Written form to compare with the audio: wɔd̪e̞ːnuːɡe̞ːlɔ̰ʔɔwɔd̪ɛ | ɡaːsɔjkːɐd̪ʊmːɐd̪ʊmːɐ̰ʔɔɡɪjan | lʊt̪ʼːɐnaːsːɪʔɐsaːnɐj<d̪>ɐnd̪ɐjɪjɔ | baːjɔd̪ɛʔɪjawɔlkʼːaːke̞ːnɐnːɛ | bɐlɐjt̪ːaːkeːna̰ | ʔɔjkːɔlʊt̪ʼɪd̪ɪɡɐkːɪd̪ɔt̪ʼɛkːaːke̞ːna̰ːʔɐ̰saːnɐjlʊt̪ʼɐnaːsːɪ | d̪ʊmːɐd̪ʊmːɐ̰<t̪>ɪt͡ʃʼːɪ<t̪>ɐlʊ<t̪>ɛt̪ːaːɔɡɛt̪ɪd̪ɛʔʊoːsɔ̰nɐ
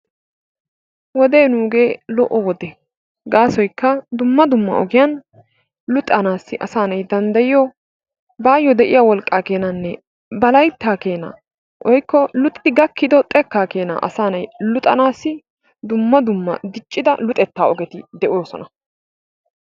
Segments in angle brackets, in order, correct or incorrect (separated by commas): correct, incorrect, incorrect, incorrect